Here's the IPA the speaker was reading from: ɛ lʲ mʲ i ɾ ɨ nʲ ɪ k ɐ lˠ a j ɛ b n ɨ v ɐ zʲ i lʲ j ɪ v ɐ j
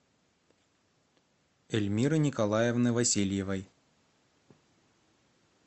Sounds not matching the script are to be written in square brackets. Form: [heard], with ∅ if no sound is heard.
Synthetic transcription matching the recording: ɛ lʲ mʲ i ɾ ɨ nʲ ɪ k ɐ lˠ a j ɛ [v] n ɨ v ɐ [sʲ] i lʲ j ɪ v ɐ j

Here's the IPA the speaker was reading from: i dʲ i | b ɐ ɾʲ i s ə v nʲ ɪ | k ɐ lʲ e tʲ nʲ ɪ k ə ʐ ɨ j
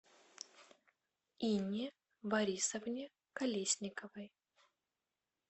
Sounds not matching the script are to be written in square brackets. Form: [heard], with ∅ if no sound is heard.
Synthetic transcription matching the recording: i [nʲ] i | b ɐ ɾʲ i s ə v nʲ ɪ | k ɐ lʲ e [sʲ] nʲ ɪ k ə [v] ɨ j

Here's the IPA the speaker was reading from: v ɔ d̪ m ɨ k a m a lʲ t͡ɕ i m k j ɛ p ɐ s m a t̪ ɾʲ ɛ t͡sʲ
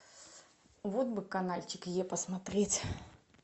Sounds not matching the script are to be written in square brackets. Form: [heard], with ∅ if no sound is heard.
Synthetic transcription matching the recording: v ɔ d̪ [b] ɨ k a [n] a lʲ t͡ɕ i [∅] k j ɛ p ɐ s m a t̪ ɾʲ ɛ t͡sʲ

